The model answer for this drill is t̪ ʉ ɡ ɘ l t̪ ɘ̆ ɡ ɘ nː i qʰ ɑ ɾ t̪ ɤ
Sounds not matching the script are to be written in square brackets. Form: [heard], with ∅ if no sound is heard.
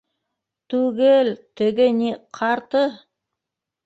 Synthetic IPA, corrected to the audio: t̪ ʉ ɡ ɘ l t̪ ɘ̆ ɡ ɘ [n] i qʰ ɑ ɾ t̪ ɤ